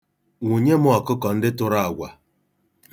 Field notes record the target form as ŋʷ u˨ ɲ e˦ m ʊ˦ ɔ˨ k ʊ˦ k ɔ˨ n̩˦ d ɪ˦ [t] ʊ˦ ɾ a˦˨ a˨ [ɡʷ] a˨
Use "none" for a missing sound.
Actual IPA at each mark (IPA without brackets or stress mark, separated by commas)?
t, ɡʷ